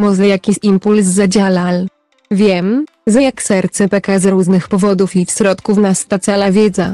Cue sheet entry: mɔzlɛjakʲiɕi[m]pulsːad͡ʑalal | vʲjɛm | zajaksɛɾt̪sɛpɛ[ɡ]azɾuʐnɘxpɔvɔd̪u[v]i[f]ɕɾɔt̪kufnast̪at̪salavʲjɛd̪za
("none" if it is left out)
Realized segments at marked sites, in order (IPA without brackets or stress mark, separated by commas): m, k, f, f